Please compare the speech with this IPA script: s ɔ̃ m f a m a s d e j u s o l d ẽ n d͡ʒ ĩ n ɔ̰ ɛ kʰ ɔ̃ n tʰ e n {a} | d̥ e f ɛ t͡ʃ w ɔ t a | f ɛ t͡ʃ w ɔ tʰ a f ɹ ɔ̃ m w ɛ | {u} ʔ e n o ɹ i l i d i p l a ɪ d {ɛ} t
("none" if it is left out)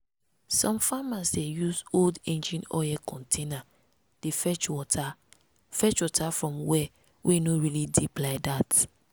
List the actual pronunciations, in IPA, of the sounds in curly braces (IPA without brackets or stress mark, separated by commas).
a, w, a